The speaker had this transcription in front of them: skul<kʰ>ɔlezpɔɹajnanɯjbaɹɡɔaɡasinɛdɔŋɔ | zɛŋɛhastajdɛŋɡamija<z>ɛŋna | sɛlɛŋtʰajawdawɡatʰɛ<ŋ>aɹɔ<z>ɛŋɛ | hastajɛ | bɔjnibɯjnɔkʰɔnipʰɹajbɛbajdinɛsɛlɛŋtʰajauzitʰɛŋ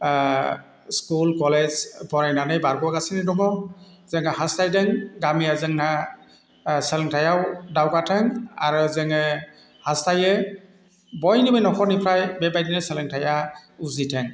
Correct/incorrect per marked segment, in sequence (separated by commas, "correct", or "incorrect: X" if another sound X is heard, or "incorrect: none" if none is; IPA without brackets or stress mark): incorrect: k, correct, correct, correct